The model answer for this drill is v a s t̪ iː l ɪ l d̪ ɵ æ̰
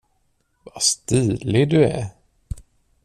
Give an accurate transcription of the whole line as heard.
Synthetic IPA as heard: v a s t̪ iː l ɪ d̪ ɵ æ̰

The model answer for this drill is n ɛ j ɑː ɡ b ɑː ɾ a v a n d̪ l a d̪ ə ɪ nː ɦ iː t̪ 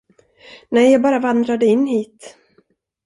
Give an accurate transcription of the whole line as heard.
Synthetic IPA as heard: n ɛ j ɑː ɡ b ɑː ɾ a v a n d̪ ɾ a d̪ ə ɪ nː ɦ iː t̪

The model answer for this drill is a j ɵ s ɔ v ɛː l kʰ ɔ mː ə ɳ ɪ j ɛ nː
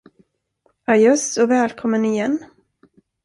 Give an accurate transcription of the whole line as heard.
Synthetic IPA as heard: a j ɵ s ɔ v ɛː l kʰ ɔ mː ə n ɪ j ɛ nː

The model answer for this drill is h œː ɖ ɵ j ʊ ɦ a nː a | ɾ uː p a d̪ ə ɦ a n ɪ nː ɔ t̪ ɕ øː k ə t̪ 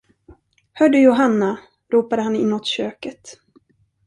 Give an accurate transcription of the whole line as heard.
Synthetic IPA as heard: h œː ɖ ɵ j ʊ ɦ a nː a | ɾ uː p a d̪ ə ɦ a n ɪ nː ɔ t̪ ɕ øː k ə t̪

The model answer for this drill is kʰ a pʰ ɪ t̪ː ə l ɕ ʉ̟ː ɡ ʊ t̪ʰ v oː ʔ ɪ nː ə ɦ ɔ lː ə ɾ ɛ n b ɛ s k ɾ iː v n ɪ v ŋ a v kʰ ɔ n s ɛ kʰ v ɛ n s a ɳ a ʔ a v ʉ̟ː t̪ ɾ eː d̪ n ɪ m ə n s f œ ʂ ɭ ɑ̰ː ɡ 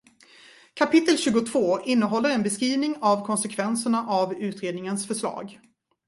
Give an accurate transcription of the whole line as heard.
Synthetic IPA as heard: kʰ a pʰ ɪ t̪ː ə l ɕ ʉ̟ː ɡ ʊ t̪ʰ v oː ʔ ɪ nː ə ɦ ɔ lː ə ɾ ɛ n b ɛ s k ɾ iː v n ɪ ŋ a v kʰ ɔ n s ɛ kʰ v ɛ n s ə ɳ a ʔ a v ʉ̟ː t̪ ɾ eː d̪ n ɪ ŋ ə n s f œ ʂ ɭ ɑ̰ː ɡ

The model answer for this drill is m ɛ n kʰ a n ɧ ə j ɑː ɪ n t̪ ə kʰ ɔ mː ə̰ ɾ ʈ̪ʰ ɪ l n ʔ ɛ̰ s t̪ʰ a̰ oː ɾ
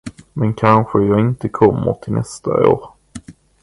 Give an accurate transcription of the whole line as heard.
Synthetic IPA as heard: m ɛ n kʰ a n ɧ ə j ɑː ɪ n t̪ ə kʰ ɔ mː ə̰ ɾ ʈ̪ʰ ɪ l n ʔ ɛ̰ s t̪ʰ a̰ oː ɾ

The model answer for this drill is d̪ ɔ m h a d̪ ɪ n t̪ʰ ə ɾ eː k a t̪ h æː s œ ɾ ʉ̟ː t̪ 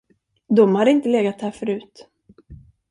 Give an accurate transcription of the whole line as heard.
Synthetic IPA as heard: d̪ ɔ m h a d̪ ɪ n t̪ ə l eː ɡ a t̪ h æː f œ ɾ ʉ̟ː t̪

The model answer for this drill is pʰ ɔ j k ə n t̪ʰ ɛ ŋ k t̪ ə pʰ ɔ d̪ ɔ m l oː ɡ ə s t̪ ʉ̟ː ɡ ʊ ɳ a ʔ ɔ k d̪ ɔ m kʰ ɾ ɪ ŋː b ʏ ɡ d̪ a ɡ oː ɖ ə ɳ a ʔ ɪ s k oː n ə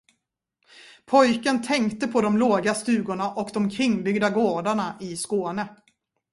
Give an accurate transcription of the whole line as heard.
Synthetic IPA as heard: pʰ ɔ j k ə n t̪ʰ ɛ ŋ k t̪ ə pʰ ɔ d̪ ɔ m l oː ɡ a s t̪ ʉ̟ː ɡ ʊ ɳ a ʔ ɔ k d̪ ɔ m kʰ ɾ ɪ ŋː b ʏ ɡ d̪ a ɡ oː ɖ a ɳ a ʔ ɪ s k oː n ə

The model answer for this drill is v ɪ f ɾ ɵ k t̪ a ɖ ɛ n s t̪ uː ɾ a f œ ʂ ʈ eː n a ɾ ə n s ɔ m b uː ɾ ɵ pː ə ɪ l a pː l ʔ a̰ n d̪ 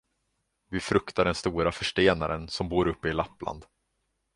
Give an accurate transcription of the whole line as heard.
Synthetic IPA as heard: v ɪ f ɾ ɵ k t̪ a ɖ ɛ n s t̪ uː ɾ a f œ ʂ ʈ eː n a ɾ ə n s ɔ m b uː ɾ ɵ pː ə ɪ l a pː l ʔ a̰ n d̪

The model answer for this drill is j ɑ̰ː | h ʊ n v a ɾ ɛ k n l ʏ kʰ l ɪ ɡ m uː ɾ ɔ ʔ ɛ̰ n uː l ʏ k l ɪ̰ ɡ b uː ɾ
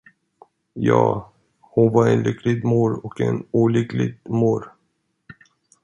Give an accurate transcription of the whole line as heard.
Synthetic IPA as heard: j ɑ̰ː | h ʊ n v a ɾ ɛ n l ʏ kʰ l ɪ ɡ m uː ɾ ɔ k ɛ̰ n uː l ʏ k l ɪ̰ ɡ m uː ɾ

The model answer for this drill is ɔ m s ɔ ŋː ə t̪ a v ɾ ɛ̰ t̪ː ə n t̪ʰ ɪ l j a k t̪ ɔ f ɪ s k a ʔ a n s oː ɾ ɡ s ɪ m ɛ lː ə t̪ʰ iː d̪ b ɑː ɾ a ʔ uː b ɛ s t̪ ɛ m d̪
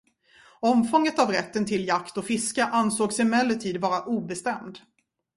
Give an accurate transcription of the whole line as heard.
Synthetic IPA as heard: ɔ m f ɔ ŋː ə t̪ a v ɾ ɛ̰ t̪ː ə n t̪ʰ ɪ l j a k t̪ ɔ f ɪ s k a ʔ a n s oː ɡ s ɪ m ɛ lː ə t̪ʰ iː d̪ v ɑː ɾ a ʔ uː b ɛ s t̪ ɛ m d̪

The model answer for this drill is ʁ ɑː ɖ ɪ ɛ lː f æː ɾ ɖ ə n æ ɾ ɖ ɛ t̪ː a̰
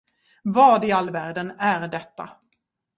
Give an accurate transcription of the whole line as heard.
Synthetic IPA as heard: v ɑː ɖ ɪ a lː v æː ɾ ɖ ə n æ ɾ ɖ ɛ t̪ː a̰

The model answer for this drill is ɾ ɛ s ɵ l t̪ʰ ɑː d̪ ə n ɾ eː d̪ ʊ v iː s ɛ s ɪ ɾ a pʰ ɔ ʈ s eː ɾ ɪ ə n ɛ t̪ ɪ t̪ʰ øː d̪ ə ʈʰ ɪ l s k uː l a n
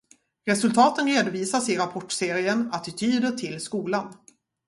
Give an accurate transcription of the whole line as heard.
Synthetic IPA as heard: ɾ ɛ s ɵ l t̪ʰ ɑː t̪ ə n ɾ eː d̪ ʊ v iː s a s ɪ ɾ a pʰ ɔ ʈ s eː ɾ ɪ ə n a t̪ ɪ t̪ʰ yː d̪ ə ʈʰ ɪ l s k uː l a n

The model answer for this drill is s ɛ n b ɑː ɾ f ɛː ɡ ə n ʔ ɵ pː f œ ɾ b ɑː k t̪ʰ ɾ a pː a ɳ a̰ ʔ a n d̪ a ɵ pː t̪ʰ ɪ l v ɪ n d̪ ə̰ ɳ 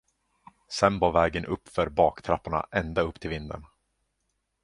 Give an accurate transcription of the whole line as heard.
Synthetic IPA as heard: s ɛ n b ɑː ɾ v ɛː ɡ ə n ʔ ɵ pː f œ ɾ b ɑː k t̪ʰ ɾ a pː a ɳ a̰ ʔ ɛ n d̪ a ɵ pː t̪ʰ ɪ l v ɪ n d̪ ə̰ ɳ

